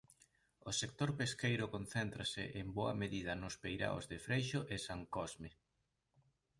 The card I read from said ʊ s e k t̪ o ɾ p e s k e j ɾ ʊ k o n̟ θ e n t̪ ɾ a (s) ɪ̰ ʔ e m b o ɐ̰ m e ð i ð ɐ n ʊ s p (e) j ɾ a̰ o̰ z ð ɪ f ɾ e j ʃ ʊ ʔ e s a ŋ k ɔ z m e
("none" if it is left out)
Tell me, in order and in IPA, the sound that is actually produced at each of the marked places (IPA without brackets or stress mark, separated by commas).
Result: s, e